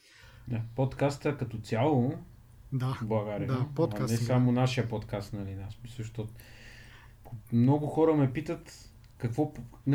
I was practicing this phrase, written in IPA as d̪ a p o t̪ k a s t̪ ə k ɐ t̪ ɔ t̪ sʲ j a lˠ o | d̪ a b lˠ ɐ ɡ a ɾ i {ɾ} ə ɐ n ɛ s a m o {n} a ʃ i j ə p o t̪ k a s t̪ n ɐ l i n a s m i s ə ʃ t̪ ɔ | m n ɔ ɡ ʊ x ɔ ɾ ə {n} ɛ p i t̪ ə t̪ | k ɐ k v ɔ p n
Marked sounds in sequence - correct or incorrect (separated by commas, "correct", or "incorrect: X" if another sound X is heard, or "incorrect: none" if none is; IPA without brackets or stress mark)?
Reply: incorrect: none, correct, incorrect: m